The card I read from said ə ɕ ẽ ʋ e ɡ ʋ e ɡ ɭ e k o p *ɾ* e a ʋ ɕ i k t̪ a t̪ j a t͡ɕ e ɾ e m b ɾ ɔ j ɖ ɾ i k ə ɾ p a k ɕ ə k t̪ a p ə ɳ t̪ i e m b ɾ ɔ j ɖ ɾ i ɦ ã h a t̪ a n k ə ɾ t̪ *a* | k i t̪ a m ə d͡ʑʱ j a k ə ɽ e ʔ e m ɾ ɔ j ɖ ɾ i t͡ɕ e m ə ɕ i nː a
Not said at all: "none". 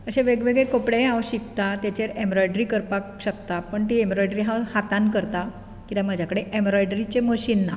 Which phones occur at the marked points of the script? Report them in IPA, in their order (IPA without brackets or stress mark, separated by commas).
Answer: ɽ, a